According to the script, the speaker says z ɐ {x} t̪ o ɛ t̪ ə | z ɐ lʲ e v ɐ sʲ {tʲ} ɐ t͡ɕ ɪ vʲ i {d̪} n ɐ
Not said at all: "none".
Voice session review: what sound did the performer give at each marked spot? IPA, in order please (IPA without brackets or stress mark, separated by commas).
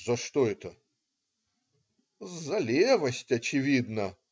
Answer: ʂ, tʲ, d̪